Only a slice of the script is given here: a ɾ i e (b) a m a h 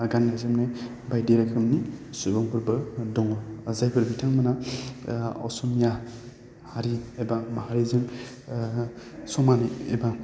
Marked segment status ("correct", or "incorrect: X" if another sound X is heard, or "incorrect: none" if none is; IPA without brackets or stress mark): correct